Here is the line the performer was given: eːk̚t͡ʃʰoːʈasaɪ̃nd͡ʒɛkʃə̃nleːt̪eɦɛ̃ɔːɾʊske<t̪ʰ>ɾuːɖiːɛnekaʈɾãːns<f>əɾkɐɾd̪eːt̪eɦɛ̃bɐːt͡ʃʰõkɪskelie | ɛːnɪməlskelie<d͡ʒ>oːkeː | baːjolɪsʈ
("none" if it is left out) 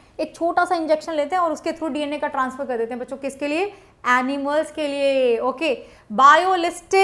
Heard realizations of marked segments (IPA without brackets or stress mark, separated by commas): t̪ʰ, f, none